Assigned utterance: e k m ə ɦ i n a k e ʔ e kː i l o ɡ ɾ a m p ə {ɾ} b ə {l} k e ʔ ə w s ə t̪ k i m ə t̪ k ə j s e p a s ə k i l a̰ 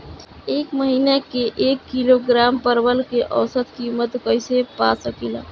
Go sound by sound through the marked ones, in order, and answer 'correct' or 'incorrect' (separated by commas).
correct, correct